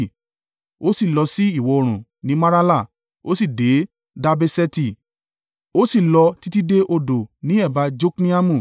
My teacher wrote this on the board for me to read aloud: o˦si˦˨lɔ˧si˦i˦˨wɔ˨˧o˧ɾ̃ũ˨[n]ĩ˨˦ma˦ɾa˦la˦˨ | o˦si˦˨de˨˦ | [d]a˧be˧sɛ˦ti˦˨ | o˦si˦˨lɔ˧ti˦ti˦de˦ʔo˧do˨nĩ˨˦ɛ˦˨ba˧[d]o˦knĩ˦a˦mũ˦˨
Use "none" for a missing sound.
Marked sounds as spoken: n, d, d͡ʒ

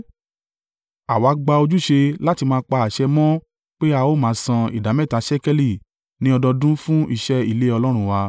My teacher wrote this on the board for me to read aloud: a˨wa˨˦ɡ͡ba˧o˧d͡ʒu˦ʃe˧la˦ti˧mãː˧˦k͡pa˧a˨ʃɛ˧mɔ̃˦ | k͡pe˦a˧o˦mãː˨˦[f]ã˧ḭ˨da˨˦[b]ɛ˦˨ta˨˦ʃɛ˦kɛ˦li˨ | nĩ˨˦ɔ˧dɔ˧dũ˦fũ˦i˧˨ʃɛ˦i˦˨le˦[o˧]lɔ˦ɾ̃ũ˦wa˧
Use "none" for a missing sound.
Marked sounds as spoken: s, m, ɔ˧

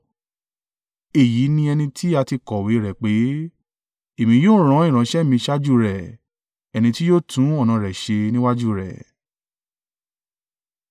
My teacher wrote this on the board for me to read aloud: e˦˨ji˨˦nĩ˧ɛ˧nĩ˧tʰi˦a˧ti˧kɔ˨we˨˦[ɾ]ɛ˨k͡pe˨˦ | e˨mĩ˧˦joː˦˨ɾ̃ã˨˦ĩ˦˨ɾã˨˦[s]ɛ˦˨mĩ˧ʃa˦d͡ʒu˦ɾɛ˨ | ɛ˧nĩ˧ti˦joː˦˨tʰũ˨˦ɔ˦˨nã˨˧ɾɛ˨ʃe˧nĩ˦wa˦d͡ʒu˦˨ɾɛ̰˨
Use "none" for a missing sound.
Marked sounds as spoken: ɾ, ʃ

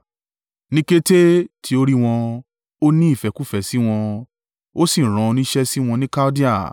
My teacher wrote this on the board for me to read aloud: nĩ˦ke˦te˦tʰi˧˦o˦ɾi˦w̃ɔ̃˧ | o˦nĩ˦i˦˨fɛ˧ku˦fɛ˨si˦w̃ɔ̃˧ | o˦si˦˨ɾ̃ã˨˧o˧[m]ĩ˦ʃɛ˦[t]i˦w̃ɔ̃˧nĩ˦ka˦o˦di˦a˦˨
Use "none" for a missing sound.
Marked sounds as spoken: n, s

